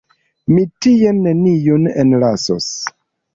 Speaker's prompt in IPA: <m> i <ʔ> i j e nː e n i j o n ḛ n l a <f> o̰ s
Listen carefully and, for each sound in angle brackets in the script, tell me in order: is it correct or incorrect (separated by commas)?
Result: correct, incorrect, incorrect